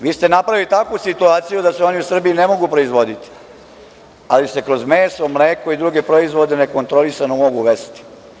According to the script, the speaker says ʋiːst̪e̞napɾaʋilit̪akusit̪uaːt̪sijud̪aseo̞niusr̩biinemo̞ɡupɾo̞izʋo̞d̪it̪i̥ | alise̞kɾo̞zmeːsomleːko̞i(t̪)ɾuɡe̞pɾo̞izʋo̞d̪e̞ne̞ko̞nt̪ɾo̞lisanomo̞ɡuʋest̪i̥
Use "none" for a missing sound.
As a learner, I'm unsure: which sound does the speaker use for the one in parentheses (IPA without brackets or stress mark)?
d̪